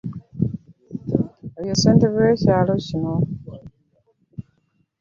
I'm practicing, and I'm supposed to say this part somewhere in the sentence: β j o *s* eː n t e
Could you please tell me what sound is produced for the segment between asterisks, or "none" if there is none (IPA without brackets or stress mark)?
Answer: s